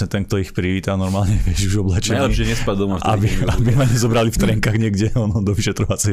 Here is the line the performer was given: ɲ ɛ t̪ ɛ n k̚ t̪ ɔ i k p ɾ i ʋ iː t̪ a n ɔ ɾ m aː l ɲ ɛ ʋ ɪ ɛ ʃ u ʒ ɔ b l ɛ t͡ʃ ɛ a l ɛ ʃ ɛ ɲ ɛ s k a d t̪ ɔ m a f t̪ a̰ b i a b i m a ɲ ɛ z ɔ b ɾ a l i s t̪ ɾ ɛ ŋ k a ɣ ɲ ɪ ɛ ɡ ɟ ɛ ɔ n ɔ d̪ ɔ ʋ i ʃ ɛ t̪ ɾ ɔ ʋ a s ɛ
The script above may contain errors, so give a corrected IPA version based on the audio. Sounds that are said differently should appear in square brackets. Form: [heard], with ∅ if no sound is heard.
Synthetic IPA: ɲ ɛ t̪ ɛ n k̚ t̪ ɔ i [x] p ɾ i ʋ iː t̪ a n ɔ ɾ m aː l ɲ ɛ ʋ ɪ ɛ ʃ u ʒ ɔ b l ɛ t͡ʃ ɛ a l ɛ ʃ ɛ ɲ ɛ s [p] a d [d̪] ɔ m a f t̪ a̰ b i a b i m a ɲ ɛ z ɔ b ɾ a l i [f] t̪ ɾ ɛ ŋ k a ɣ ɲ ɪ ɛ ɡ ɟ ɛ ɔ n ɔ d̪ ɔ ʋ i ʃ ɛ t̪ ɾ ɔ ʋ a [t͡s] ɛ